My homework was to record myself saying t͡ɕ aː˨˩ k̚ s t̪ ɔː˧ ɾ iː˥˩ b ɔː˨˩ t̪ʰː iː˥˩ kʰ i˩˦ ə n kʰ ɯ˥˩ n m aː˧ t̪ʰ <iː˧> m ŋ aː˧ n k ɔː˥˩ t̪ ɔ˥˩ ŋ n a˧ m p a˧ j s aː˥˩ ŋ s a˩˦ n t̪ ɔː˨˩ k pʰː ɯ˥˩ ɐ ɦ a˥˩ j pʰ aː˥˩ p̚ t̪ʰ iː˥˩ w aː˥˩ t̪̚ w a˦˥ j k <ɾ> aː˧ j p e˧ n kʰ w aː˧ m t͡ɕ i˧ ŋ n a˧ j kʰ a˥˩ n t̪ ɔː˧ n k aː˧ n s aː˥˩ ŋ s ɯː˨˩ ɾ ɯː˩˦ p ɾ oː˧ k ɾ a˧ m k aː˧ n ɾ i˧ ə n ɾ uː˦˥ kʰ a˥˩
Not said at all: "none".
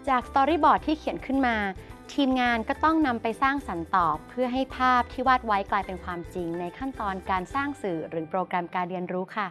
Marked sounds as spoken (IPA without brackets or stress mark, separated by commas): iː˧, l